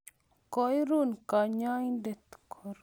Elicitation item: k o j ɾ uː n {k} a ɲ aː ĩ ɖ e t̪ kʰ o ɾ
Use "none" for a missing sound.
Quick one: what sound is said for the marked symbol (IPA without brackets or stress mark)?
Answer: k